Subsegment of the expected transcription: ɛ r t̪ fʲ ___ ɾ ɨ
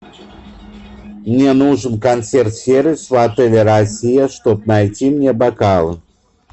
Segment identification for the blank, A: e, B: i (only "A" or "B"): A